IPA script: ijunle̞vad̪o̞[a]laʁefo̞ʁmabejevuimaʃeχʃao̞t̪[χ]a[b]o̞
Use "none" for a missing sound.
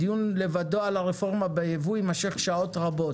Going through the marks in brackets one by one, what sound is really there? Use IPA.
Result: a, ʁ, b

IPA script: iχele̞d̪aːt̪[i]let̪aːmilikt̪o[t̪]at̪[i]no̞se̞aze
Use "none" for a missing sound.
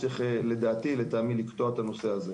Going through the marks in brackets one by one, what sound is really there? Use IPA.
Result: i, none, a

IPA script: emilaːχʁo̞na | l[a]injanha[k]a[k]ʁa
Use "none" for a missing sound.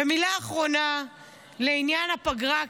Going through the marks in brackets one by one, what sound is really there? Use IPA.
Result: e, p, ɡ

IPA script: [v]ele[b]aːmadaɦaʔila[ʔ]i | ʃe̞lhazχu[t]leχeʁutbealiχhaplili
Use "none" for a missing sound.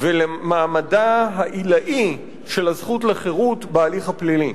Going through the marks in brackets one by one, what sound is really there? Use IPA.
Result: v, m, ʔ, t

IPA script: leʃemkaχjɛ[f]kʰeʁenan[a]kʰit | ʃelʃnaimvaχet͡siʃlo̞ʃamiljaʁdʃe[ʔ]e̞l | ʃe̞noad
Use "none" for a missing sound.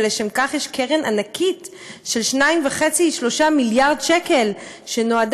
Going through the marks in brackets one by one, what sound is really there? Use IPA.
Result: ʃ, a, k

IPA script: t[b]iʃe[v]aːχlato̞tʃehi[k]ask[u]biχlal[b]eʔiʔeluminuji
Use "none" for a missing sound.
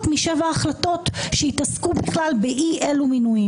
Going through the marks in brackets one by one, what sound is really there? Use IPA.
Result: m, v, t, u, b

